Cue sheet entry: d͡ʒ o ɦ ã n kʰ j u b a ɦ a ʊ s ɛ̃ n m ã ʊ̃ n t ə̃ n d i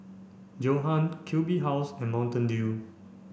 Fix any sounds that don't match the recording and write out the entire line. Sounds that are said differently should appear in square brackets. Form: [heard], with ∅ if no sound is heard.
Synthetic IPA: d͡ʒ o ɦ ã n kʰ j u b [i] ɦ a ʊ s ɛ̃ n m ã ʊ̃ n t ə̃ n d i